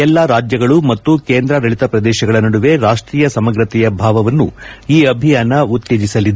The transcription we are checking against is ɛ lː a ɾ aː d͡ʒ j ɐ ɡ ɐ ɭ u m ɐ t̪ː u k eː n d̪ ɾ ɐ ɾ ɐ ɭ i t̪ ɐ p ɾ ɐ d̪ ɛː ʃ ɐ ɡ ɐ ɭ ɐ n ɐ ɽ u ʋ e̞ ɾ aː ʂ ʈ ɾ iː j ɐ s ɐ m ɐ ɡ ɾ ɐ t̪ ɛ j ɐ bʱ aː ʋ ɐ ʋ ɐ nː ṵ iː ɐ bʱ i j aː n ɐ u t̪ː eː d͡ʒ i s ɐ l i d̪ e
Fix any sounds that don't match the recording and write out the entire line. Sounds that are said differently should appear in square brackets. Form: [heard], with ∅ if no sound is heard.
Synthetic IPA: ɛ lː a ɾ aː d͡ʒ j ɐ ɡ ɐ ɭ u m ɐ t̪ː u k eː n d̪ ɾ ɐ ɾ ɐ ɭ i t̪ ɐ p ɾ ɐ d̪ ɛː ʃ ɐ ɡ ɐ ɭ ɐ n ɐ ɽ u ʋ e̞ ɾ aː ʂ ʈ ɾ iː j ɐ s ɐ m ɐ ɡ ɾ ɐ t̪ ɛ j ɐ bʱ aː ʋ ɐ ʋ ɐ nː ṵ iː ɐ bʱ i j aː n ɐ u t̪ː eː d͡ʒ i s ɐ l i d̪ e